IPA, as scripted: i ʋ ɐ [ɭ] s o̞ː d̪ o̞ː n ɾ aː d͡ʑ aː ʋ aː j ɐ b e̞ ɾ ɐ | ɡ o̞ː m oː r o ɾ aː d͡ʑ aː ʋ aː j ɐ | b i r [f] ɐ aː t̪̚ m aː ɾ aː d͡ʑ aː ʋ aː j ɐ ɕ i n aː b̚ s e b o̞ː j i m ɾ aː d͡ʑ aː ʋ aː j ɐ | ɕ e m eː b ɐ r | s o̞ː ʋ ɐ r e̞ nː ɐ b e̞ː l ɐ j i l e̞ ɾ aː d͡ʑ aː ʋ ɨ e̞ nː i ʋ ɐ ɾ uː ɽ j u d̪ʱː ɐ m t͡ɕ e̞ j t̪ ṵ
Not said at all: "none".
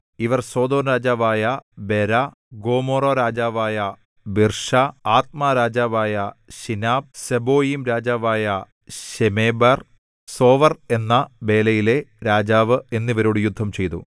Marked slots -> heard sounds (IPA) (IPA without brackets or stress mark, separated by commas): r, ʂ